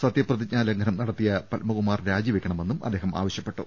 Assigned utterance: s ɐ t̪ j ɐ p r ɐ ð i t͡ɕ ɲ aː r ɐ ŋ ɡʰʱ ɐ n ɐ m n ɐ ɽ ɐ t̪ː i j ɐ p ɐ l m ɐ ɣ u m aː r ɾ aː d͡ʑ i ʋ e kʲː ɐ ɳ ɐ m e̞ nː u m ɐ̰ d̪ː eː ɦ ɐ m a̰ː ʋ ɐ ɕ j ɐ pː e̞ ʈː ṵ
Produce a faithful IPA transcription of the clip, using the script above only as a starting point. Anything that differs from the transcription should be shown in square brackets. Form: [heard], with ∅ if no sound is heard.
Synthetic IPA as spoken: s ɐ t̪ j ɐ p r ɐ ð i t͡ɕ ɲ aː [l] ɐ ŋ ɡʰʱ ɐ n ɐ m n ɐ ɽ ɐ t̪ː i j ɐ p ɐ l m ɐ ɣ u m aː r ɾ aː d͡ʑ i ʋ e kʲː ɐ ɳ ɐ m e̞ nː u m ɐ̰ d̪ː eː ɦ ɐ m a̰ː ʋ ɐ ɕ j ɐ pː e̞ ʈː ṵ